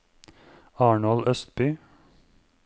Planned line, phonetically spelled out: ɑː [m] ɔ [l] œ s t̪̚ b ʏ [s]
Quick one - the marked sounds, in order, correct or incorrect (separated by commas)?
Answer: incorrect, correct, incorrect